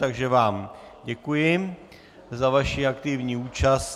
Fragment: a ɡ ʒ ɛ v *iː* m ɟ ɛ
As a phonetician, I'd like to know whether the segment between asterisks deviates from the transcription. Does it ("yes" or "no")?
yes